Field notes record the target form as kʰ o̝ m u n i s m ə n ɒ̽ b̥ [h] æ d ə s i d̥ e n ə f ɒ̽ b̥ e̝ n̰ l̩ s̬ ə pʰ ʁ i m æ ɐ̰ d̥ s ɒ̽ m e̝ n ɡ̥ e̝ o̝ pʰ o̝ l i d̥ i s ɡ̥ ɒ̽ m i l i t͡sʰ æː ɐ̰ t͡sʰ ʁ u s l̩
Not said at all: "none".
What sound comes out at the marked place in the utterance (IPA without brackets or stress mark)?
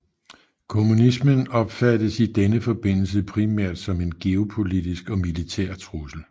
f